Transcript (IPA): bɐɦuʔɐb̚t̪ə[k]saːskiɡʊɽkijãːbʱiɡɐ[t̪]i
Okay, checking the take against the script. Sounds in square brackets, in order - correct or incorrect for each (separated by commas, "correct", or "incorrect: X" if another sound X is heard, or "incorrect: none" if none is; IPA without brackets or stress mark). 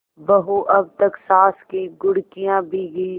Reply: correct, incorrect: none